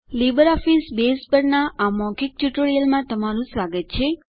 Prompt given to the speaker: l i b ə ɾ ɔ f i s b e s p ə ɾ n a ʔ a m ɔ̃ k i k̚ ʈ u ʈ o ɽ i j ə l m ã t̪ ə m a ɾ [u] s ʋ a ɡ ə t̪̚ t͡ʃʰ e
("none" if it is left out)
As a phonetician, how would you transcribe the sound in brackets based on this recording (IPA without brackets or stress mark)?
ũ